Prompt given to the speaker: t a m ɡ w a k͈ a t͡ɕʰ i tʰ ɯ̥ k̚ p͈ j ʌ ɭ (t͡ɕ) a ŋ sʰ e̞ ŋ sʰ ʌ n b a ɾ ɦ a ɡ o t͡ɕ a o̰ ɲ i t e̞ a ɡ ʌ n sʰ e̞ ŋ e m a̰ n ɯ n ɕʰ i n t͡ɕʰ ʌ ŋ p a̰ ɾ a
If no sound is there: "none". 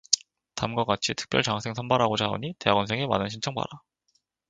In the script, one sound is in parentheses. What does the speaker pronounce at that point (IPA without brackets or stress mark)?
t͡ɕ